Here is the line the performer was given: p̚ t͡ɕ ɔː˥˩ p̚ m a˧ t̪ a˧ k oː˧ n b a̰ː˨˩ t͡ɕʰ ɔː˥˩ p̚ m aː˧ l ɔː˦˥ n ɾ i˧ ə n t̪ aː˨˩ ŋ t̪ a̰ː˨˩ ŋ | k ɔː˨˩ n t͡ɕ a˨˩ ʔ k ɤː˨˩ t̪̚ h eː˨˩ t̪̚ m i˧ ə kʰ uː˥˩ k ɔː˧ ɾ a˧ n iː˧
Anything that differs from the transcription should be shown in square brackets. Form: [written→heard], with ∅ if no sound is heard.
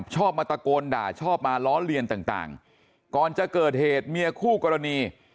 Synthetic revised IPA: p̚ [t͡ɕ→t͡ɕʰ] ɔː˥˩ p̚ m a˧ t̪ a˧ k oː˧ n [b→d] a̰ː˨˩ t͡ɕʰ ɔː˥˩ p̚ m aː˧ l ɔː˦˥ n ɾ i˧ ə n t̪ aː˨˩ ŋ t̪ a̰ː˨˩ ŋ | k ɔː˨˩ n t͡ɕ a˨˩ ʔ k ɤː˨˩ t̪̚ h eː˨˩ t̪̚ m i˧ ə kʰ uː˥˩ k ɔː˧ ɾ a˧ n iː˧